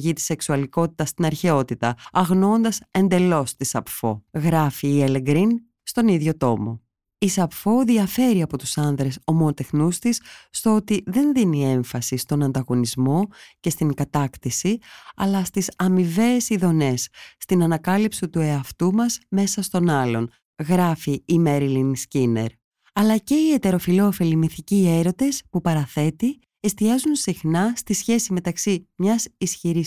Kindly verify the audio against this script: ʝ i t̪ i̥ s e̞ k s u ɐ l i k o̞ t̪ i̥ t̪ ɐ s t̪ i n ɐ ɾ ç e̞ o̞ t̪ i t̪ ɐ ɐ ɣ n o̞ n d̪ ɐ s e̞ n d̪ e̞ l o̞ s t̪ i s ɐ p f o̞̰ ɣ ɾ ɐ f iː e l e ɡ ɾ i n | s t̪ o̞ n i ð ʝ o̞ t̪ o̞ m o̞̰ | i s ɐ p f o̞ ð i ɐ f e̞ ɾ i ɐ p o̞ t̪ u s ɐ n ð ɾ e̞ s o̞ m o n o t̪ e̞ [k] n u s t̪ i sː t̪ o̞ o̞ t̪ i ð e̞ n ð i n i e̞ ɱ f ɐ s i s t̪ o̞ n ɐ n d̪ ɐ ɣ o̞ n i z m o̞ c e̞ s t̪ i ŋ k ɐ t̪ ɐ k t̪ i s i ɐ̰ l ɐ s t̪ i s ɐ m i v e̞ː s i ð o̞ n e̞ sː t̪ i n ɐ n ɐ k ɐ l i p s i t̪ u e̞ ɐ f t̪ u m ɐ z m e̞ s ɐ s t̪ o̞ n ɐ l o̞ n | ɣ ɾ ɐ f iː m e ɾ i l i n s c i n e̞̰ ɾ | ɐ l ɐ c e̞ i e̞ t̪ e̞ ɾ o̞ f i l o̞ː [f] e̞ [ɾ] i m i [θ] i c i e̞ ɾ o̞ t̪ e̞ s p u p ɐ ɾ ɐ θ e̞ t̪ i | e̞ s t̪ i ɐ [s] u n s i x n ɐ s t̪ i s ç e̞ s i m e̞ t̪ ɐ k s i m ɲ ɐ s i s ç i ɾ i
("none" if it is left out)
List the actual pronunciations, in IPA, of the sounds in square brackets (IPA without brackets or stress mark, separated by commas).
x, f, l, θ, z